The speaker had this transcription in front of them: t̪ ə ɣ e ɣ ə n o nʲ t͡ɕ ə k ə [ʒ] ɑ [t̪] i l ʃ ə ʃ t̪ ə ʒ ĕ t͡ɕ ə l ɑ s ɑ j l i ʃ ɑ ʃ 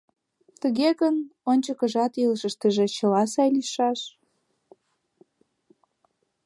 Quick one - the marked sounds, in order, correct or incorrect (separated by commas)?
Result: correct, correct